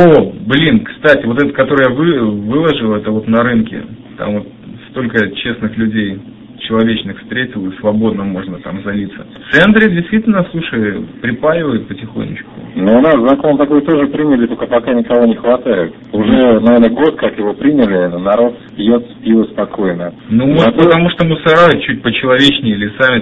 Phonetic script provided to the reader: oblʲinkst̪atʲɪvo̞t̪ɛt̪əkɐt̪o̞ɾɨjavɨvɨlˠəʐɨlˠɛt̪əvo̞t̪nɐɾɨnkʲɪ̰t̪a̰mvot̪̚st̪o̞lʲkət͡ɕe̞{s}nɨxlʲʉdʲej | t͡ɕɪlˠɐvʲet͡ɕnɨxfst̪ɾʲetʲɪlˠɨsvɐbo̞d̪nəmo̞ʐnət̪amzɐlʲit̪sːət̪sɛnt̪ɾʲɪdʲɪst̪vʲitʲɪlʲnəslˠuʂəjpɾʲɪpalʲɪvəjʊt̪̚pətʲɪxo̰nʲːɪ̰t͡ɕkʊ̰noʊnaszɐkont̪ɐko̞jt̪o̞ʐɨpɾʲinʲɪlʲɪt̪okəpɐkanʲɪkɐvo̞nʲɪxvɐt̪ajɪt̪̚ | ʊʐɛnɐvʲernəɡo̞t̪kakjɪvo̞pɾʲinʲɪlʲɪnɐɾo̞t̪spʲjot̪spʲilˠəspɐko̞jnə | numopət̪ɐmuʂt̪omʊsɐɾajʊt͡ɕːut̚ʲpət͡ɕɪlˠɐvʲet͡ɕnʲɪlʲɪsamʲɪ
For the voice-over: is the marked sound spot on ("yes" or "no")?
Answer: yes